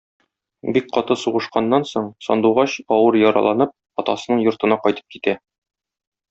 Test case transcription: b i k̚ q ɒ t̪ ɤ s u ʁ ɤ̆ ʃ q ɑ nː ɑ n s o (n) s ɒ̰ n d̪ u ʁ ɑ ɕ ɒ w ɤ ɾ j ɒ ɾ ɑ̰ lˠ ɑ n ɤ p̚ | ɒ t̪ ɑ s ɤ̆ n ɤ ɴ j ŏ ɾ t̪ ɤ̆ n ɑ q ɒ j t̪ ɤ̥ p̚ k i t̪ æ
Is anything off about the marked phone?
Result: yes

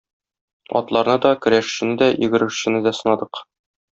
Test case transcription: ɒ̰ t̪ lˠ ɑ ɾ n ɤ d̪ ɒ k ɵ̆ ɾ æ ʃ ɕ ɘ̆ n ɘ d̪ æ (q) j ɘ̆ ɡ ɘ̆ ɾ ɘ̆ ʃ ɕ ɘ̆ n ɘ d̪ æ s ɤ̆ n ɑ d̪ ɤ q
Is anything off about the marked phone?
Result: yes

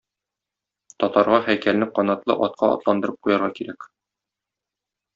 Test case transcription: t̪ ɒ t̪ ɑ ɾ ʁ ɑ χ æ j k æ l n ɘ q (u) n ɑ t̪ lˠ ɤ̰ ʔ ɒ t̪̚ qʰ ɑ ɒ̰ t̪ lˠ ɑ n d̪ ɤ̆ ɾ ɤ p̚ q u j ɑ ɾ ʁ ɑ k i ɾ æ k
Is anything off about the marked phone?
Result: yes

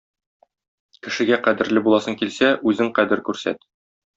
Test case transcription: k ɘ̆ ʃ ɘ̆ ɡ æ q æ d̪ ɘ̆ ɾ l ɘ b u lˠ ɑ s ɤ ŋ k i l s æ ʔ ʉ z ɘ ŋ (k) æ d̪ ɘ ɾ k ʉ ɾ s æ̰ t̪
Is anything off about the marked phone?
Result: yes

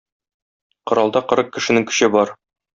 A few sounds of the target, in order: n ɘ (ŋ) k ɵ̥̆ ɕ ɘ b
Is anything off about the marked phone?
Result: no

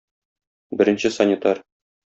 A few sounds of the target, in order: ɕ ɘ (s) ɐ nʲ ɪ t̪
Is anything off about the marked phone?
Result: no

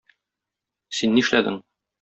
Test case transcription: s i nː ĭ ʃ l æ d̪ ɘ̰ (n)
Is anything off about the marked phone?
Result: yes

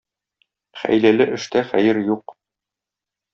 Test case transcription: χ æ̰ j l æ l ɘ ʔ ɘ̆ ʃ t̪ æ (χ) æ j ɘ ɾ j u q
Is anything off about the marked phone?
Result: no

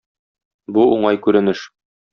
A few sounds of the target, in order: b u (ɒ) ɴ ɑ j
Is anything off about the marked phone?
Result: yes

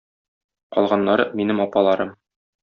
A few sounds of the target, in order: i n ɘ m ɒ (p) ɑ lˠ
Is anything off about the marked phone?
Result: no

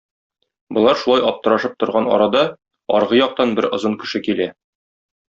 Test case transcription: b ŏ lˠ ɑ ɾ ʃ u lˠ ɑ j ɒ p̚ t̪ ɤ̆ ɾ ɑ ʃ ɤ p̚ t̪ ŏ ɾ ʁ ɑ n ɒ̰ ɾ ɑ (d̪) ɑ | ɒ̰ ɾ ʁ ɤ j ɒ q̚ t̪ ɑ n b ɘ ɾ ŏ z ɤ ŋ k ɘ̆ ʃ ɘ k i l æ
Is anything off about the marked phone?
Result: no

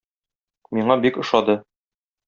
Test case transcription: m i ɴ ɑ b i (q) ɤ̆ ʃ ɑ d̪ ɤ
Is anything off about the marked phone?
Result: yes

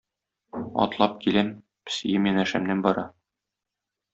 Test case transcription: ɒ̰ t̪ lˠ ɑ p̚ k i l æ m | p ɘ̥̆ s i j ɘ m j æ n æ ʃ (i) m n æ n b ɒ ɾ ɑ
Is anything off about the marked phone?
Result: yes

